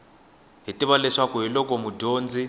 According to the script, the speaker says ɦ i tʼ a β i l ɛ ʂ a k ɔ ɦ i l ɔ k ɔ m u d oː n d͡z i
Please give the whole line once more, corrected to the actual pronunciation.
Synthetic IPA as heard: ɦ i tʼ i β a l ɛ ʂ a k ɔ ɦ i l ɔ k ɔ m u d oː n d͡z i